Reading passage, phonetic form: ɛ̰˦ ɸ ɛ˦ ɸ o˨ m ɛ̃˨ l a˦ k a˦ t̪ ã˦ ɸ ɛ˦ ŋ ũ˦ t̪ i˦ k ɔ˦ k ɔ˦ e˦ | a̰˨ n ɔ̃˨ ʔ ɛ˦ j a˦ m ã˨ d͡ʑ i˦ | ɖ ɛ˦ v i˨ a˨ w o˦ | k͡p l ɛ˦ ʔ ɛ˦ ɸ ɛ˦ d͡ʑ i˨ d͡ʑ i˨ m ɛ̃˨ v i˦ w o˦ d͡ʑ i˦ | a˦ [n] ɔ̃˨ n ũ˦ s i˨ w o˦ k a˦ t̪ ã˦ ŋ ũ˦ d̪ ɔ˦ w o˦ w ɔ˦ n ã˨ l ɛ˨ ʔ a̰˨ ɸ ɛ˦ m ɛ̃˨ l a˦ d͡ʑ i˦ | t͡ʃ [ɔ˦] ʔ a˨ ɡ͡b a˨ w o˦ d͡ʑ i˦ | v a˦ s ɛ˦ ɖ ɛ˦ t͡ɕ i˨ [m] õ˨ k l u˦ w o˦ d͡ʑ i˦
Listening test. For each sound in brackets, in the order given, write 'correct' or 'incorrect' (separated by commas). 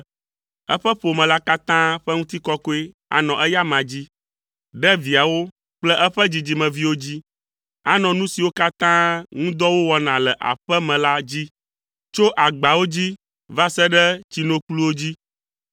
correct, incorrect, incorrect